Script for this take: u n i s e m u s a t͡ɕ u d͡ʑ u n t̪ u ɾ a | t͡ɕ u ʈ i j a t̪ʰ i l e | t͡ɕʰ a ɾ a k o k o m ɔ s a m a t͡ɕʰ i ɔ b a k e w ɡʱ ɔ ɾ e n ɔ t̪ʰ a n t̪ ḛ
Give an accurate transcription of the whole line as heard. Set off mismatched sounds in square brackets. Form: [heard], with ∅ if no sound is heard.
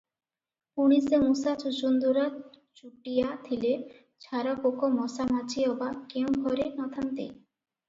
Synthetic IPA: u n i s e m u s a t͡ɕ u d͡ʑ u n [d̪] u ɾ a | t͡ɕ u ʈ i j a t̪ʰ i l e | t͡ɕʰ a ɾ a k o k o m ɔ s a m a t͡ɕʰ i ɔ b a k e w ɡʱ ɔ ɾ e n ɔ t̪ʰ a n t̪ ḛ